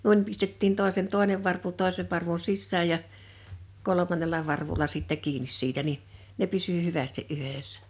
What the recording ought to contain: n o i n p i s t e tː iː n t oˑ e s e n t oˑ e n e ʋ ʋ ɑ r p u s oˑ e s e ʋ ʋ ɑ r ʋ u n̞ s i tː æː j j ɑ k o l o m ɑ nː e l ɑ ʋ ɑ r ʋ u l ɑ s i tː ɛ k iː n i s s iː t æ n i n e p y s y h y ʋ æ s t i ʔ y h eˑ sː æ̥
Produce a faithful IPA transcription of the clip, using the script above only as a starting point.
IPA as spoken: n u i n p i s t e tː iː n t oˑ e s e n t oˑ e n e ʋ ʋ ɑ r p u t oˑ e s e ʋ ʋ ɑ r ʋ u n̞ s i sː æː j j ɑ k o l o m ɑ nː e l ɑ ʋ ɑ r ʋ u l ɑ s i tː ɛ k iː n i s s iː t æ n i n e p y s y h y ʋ æ s t i ʔ y h eˑ sː æ̥

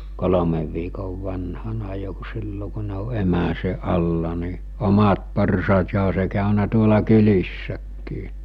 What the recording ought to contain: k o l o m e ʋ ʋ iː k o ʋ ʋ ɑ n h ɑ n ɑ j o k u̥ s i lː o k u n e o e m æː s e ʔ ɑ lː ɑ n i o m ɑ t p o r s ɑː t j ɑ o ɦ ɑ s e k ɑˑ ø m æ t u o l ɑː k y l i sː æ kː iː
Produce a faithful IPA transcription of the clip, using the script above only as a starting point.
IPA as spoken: k o l o m e ʋ ʋ iː k o ʋ ʋ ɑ n h ɑ n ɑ j o k u̥ s i lː o k u n e o e m æ s e ʔ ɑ lː ɑ n i o m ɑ t p o r s ɑː t j ɑ o ɦ ɑ s e k ɑˑ ø n æ t u o l ɑ k y l i sː æ kː iː

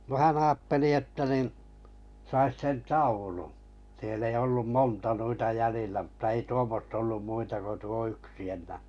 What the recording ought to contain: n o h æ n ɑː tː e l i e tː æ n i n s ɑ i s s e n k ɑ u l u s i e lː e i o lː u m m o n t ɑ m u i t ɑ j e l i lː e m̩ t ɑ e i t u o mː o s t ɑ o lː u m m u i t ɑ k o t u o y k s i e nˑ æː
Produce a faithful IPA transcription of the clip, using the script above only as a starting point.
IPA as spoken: n o h æ n ɑː tː e l i e tː æ n i n s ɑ i s s e n t ɑ u l u s i e lː e i o lː u m m o n t ɑ n u i t ɑ j æ l i lː æ m̩ t ɑ e i t u o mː o s t ɑ o lː u m m u i t ɑ k o t u o y k s i e nˑ æː

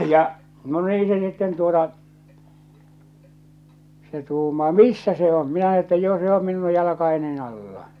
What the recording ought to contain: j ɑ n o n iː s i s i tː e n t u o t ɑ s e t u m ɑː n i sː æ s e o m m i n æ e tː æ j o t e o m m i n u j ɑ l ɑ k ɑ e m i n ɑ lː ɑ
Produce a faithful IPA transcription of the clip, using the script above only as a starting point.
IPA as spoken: j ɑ n o n iː s e s i tː e n t u o t ɑ s e t uː m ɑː m i sː æ s e o m m i n æ e tː æ j o s e o m m i n u j ɑ l ɑ k ɑ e n i n ɑ lː ɑ

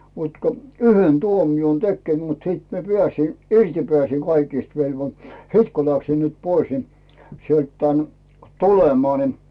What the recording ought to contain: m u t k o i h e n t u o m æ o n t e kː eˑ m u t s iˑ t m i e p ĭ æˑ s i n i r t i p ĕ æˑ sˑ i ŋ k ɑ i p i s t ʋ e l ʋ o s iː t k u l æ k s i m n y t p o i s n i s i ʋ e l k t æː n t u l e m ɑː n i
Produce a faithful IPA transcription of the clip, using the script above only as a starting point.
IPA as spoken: m u t k o y h e n t u o m i o n t e kː eˑ m u t s iˑ t m i e p ĭ æˑ s i n i r t i p ĕ æˑ sˑ i ŋ k ɑ i k i s t ʋ e l ʋ o s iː t k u l æ k s i m n y t p o i s n i s i e l t t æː n t u l e m ɑː n i

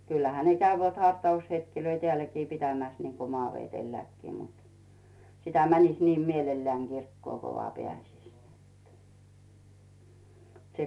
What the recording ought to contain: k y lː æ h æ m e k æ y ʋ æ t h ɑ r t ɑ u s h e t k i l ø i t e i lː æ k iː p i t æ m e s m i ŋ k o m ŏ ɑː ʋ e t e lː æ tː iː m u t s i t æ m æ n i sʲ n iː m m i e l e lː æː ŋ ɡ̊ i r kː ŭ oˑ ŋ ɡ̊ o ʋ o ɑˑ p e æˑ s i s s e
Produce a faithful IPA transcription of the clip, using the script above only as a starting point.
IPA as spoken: k y lː æ h æ n e k æ y ʋ æ t h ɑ r t ɑ u s h e t k i l ø i t e æ lː æ k iː p i t æ m æ s n i ŋ k o m ŏ ɑː ʋ e t e lː æ kː iː m u t s i t æ m æ n i sʲ n iː m m i e l e lː æː ŋ ɡ̊ i r kː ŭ oˑ ŋ ɡ̊ o ʋ o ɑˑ p e æˑ s i s s e

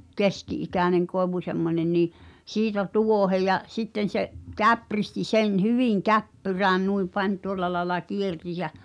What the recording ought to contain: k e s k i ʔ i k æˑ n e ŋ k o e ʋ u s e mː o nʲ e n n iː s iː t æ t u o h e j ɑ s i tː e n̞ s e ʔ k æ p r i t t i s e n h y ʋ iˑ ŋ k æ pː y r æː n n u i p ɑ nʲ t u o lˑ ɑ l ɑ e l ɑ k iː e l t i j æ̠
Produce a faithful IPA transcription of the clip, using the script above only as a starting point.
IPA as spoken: k e s k i ʔ i k æˑ n e ŋ k o e ʋ u s e mː o nʲ e n n iː s iː t æ t u o h e j ɑ s i tː e n̞ s e ʔ k æ p r i s t i s e n h y ʋ iˑ ŋ k æ pː y r æː n n u i p ɑ nʲ t u o lˑ ɑ l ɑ e l ɑ k i e r t i j æ̠

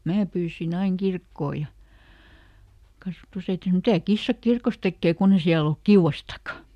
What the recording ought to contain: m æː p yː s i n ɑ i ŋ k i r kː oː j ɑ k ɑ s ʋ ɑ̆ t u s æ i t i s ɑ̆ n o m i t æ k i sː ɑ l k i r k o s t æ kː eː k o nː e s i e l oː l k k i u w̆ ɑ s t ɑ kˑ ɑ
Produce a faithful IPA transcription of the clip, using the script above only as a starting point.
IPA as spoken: m æː p yː s i n ɑ i ŋ k i r kː oː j ɑ k ɑ s ʋ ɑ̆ t u s æ i t i s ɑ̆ n o m i t æ k i sː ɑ k i r k o s t e kː eː k u nː e s i æ l o l k k i u w̆ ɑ s t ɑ kˑ ɑ

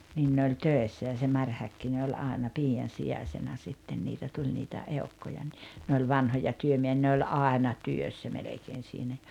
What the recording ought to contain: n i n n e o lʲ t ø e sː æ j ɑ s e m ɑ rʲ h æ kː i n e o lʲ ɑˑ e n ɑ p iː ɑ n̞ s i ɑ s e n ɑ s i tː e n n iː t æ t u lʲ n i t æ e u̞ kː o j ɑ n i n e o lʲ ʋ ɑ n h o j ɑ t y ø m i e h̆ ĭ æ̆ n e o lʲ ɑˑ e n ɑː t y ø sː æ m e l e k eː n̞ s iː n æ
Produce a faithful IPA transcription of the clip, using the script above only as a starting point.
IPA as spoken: n i n n e o lʲ t ø e sː æ j ɑ s e m ɑ rʲ h æ kː i n e o lʲ ɑˑ e n ɑ p iː ɑ n̞ s i ɑ s e n ɑ s i tː e n n iː t æ t u lʲ n i t æ e u̞ kː o j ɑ n i n e o lʲ ʋ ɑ n h o j ɑ t y ø m i e h̆ ĭ æ̆ n e o lʲ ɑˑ e n ɑ t y ø sː æ m e l e k eː n̞ s iː n æ

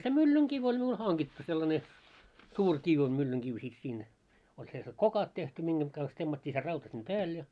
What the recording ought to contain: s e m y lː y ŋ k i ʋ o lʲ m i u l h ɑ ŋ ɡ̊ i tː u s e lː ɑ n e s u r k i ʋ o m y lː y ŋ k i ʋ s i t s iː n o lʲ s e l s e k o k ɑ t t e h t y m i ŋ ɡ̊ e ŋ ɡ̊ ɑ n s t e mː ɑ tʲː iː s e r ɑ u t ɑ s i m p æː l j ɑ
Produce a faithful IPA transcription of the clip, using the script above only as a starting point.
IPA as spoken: s e m y lː y ŋ k i ʋ o lʲ m i u l h ɑ ŋ ɡ̊ i tː u s e lː ɑ n e s uː r k i ʋ o m y lː y ŋ k i ʋ s i t s iː n o lʲ s e l s e k o k ɑ t t e h t y m i ŋ ɡ̊ e ŋ ɡ̊ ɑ n s t e mː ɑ tʲː iː s e r ɑ u t ɑ s i m p æː l j ɑ

